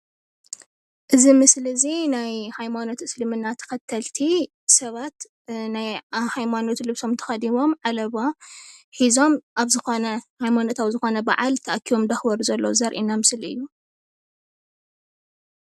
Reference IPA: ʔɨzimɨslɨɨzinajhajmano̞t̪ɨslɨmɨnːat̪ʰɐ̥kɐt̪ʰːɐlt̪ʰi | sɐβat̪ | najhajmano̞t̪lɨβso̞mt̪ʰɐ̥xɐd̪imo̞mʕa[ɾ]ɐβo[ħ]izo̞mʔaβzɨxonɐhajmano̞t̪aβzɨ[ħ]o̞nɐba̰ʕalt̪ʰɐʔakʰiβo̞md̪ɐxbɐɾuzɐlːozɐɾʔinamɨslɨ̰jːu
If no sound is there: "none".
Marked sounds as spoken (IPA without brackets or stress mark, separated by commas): l, ħ, x